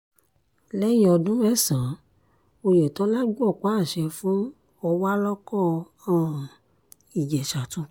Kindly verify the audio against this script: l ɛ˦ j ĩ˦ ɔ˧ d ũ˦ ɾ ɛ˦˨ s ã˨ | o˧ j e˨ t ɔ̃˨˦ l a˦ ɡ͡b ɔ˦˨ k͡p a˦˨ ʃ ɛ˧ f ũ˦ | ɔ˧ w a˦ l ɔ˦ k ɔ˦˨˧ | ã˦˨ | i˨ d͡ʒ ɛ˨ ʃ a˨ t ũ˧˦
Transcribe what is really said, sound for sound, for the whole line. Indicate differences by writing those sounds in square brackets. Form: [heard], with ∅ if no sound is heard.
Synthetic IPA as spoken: l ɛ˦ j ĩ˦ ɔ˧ d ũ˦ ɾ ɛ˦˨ s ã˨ | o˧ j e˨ t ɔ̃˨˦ l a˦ ɡ͡b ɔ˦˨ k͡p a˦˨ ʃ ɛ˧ f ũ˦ | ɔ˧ w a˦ l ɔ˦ k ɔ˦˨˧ | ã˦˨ | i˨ d͡ʒ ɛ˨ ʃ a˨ t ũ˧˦

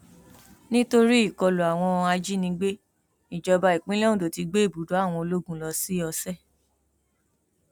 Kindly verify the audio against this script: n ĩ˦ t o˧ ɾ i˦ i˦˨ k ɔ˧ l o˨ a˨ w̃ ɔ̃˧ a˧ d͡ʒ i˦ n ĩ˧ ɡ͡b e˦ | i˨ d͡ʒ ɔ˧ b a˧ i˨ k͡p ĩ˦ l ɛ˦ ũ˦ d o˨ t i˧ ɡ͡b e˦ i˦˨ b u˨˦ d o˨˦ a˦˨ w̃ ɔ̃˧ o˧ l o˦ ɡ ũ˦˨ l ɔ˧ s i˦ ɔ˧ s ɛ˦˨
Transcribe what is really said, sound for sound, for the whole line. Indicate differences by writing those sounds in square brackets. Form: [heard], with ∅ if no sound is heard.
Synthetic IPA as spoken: n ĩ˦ t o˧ ɾ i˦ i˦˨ k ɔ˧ l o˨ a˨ w̃ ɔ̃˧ a˧ d͡ʒ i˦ n ĩ˧ ɡ͡b e˦ | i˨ d͡ʒ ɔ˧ b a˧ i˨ k͡p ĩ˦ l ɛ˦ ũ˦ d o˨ t i˧ ɡ͡b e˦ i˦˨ b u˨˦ d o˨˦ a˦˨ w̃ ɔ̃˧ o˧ l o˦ ɡ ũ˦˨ l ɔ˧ s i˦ ɔ˧ s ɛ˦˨

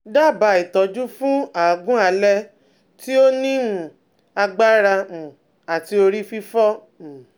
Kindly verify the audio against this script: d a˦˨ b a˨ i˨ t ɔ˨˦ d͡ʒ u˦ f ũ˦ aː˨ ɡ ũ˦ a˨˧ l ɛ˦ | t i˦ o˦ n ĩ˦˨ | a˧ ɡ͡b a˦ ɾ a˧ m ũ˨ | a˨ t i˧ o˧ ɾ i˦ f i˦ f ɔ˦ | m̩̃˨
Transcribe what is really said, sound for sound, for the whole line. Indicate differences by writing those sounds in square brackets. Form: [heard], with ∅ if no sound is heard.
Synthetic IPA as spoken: d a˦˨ b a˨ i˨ t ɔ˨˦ d͡ʒ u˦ f ũ˦ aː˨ ɡ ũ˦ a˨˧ l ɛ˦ | t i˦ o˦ n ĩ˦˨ | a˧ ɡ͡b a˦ ɾ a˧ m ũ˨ | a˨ t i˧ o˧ ɾ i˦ f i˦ f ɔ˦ | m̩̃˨

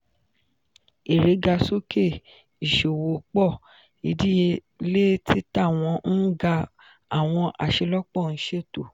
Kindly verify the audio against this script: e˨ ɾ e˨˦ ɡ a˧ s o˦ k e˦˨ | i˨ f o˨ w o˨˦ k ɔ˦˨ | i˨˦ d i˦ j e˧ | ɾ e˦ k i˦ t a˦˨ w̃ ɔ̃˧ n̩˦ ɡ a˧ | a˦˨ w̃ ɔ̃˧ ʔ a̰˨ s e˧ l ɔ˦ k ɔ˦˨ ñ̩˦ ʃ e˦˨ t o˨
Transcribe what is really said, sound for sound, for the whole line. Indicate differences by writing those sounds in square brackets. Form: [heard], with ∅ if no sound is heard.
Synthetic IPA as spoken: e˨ ɾ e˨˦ ɡ a˧ s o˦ k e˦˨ | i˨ [ʃ] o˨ w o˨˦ [k͡p] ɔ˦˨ | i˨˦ d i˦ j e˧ | [l] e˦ [t] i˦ t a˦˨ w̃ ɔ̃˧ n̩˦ ɡ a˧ | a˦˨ w̃ ɔ̃˧ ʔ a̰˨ [ʃ] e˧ l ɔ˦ [k͡p] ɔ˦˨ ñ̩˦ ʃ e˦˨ t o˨

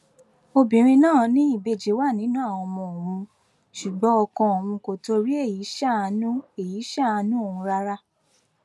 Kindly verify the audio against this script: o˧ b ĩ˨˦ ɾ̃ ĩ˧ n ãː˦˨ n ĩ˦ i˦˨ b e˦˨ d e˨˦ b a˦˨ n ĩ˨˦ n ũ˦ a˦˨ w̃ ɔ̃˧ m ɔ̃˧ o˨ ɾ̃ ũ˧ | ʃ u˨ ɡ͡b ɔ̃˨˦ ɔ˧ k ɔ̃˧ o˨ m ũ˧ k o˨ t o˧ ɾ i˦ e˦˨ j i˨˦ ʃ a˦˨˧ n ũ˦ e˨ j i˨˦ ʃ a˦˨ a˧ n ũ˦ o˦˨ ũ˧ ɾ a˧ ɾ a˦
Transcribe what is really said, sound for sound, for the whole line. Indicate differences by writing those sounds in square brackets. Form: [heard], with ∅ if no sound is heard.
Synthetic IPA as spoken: o˧ b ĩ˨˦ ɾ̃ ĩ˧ n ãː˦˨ n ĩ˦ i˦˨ b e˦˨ [d͡ʒ] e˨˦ [w] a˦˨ n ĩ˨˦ n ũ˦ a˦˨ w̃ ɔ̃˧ m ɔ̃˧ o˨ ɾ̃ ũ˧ | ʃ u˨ ɡ͡b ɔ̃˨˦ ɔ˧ k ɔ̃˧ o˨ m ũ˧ k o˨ t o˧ ɾ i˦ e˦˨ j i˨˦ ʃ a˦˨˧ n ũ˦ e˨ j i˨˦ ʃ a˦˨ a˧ n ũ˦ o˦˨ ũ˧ ɾ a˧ ɾ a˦

